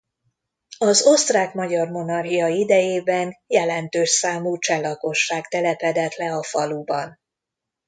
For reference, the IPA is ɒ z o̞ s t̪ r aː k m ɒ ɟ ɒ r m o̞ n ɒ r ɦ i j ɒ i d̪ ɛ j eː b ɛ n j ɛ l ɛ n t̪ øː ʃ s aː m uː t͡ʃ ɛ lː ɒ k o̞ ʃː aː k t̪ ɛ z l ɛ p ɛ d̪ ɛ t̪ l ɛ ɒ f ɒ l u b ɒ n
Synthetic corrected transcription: ɒ z o̞ s t̪ r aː k m ɒ ɟ ɒ r m o̞ n ɒ r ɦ i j ɒ i d̪ ɛ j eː b ɛ n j ɛ l ɛ n t̪ øː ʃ s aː m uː t͡ʃ ɛ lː ɒ k o̞ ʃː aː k t̪ ɛ l ɛ p ɛ d̪ ɛ t̪ l ɛ ɒ f ɒ l u b ɒ n